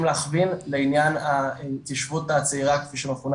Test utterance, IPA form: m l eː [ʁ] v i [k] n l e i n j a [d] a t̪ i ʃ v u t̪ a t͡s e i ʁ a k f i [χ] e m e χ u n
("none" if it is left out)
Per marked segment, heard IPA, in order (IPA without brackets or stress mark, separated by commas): χ, none, n, ʃ